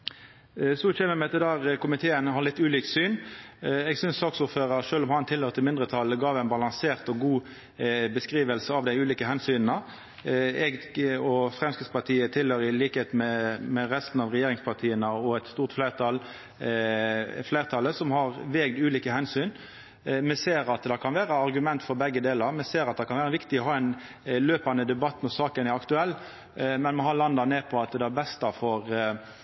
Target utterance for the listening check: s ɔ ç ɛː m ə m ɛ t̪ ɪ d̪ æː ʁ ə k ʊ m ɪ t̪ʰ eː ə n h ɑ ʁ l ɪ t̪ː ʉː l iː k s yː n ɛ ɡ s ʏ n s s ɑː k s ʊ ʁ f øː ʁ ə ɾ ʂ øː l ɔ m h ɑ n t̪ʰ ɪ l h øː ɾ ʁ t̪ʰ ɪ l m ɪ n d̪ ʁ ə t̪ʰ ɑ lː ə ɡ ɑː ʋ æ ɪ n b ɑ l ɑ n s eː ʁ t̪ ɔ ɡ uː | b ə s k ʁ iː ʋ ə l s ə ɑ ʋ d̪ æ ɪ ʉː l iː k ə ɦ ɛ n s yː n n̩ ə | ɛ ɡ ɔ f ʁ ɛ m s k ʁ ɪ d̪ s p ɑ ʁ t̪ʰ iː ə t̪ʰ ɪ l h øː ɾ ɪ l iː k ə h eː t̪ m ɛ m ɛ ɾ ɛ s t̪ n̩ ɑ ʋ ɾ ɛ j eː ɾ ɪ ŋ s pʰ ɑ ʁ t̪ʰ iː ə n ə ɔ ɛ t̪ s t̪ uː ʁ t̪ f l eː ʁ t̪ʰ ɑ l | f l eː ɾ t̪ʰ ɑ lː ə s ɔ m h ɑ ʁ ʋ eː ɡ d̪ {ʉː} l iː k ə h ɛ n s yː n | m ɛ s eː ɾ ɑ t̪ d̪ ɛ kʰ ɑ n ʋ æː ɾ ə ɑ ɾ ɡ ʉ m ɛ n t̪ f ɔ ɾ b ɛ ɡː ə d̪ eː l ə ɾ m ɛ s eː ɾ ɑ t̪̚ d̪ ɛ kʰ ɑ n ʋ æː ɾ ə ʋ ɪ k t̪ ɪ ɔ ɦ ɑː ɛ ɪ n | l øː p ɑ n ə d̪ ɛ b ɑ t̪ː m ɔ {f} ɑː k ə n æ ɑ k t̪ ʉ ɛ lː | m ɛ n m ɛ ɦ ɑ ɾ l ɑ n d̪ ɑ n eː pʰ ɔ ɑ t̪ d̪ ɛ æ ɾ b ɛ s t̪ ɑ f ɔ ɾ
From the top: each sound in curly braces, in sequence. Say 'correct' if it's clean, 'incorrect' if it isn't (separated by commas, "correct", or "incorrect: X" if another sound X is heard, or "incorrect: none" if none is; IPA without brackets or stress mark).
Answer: correct, incorrect: s